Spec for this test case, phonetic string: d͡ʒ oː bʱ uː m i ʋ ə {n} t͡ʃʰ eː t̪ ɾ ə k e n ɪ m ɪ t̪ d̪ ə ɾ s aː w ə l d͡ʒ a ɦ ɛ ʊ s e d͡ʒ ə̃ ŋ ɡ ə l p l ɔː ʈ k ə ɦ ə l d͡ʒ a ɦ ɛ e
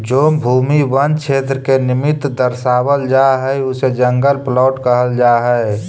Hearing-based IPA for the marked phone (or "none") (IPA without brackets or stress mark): n